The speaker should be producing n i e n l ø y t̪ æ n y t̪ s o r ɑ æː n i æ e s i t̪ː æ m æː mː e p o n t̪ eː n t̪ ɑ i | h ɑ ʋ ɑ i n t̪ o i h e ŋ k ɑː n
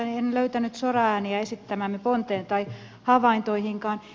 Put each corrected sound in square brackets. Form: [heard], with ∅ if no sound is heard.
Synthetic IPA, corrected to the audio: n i e n l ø y t̪ æ n y t̪ s o r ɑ æː n i æ e s i t̪ː æ m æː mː e p o n t̪ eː n t̪ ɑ i | h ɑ ʋ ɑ i n t̪ o i h [i] ŋ k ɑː n